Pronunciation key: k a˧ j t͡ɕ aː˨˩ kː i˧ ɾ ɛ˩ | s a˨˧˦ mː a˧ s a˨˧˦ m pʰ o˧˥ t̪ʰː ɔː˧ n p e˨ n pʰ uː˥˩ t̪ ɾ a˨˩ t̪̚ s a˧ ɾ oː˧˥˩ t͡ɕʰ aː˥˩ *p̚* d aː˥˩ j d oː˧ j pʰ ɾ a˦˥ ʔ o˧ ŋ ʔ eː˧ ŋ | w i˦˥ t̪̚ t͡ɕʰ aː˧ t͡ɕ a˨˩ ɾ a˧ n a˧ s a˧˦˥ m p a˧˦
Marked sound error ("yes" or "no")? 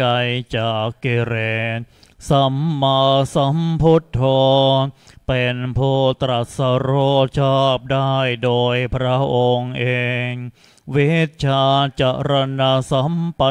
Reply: no